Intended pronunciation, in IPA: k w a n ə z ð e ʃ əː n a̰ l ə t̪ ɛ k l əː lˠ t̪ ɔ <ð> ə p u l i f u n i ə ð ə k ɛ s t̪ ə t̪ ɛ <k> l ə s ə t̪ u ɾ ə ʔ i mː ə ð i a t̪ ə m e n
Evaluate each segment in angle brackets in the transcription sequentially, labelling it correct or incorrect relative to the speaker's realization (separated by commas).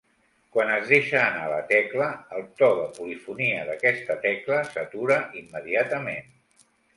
correct, correct